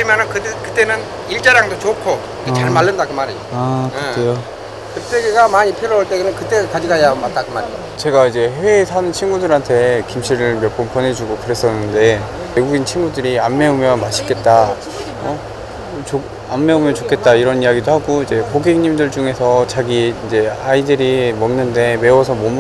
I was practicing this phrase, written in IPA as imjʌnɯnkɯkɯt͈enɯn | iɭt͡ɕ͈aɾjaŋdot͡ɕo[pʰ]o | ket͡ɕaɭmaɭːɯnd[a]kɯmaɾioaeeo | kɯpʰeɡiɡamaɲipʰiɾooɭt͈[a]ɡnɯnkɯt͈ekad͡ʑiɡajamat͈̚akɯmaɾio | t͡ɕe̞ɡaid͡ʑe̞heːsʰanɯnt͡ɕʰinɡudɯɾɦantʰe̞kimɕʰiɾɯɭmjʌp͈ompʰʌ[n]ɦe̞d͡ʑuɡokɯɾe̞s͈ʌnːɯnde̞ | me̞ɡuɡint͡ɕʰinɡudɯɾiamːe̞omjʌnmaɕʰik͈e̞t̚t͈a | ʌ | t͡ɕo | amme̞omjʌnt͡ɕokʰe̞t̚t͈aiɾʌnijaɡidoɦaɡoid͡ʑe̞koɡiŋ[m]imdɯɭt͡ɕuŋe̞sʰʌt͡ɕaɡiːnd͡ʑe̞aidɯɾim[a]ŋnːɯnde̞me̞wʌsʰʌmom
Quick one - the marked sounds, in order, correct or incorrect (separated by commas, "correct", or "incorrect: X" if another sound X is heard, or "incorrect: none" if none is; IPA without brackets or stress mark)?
incorrect: kʰ, correct, incorrect: e, correct, incorrect: ɲ, incorrect: ʌ